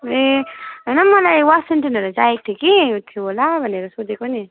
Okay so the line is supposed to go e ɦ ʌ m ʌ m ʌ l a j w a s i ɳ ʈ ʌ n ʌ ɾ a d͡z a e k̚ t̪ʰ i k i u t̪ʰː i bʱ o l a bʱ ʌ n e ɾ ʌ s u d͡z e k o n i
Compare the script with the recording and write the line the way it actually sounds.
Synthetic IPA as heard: e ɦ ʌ n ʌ m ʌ l a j w a s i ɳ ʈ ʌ n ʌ ɾ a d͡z a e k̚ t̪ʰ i k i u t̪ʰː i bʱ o l a bʱ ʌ n e ɾ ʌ s o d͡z e k o n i

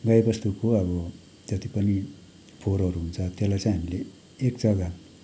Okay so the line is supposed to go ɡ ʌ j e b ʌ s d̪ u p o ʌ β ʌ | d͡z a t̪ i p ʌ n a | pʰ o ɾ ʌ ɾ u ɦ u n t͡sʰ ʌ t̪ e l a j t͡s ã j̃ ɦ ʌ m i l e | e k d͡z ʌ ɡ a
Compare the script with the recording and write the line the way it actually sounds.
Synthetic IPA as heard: ɡ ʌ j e b ʌ s t̪ u k o ʌ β ʌ | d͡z ʌ t̪ i p ʌ n i | pʰ o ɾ ʌ ɾ u ɦ u n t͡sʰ ʌ t̪ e l a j t͡s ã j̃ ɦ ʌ m i l e | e k d͡z ʌ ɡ a

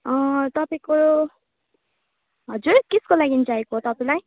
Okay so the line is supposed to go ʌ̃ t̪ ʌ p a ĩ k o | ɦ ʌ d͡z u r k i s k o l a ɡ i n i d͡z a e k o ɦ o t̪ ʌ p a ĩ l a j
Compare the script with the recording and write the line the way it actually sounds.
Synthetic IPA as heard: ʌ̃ t̪ ʌ p a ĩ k o | ɦ ʌ d͡z u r k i s k o l a ɡ i n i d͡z a e k o ɦ o t̪ ʌ p a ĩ l a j

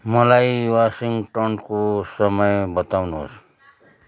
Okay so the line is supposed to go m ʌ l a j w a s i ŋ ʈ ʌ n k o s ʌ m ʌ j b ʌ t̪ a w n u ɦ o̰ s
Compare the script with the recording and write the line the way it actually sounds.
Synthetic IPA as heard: m ʌ l a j w a s i ŋ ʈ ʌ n k o s ʌ m ʌ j b ʌ t̪ a w n u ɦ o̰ s

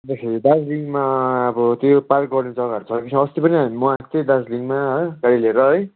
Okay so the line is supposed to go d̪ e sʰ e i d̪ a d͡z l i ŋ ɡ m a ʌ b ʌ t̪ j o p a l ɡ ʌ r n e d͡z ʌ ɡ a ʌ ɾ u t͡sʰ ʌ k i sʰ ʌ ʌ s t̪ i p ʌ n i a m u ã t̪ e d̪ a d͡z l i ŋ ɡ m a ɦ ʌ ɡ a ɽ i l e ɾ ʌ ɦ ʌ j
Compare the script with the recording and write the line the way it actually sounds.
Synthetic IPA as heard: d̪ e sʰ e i d̪ a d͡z l i ŋ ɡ m a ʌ b ʌ t̪ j o p a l ɡ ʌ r n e d͡z ʌ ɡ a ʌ ɾ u t͡sʰ ʌ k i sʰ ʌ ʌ s t̪ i p ʌ n i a m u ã t̪ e d̪ a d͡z l i ŋ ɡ m a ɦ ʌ ɡ a ɽ i l e ɾ ʌ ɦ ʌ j

